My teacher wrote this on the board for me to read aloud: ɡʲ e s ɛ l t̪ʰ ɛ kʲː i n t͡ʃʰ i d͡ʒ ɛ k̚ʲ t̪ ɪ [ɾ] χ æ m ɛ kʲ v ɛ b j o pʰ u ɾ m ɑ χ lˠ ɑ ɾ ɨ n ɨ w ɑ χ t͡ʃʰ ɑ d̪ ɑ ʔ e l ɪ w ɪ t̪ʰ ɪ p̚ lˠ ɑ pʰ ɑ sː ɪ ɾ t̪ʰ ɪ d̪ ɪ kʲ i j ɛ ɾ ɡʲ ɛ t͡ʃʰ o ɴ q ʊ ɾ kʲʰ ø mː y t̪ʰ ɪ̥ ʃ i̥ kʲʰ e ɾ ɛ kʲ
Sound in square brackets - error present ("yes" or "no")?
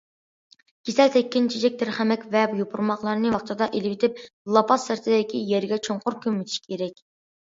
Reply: no